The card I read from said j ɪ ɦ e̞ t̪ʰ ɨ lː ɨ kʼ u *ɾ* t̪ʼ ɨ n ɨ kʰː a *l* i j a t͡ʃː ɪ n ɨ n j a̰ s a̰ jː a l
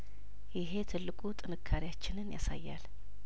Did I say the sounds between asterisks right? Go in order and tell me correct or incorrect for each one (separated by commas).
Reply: incorrect, incorrect